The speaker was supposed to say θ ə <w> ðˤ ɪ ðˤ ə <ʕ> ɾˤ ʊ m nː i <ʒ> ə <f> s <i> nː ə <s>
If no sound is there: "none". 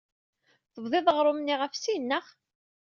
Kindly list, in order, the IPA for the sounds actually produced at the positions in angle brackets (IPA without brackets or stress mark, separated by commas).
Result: v, ʁ, ʁ, f, i, χ